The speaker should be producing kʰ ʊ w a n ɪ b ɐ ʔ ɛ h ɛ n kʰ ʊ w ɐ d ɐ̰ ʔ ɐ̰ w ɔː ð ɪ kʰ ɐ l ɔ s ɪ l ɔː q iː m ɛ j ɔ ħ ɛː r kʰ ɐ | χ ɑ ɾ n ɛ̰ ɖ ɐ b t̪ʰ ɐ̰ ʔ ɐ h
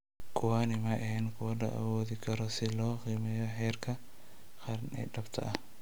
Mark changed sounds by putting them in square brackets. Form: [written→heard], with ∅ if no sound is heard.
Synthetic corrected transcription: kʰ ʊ w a n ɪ [b→m] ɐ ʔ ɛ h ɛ n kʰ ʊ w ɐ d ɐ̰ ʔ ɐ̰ w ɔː ð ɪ kʰ ɐ [l→ɾ] ɔ s ɪ l ɔː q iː m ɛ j ɔ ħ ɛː r kʰ ɐ | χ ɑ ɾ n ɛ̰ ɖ ɐ b t̪ʰ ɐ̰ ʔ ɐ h